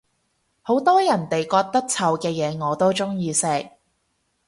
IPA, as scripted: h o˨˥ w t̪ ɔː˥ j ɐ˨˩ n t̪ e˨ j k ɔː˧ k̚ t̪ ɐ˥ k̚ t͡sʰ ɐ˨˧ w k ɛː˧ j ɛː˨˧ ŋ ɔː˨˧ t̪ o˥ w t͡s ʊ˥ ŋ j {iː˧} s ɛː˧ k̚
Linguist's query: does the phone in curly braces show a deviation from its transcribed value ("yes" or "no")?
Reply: no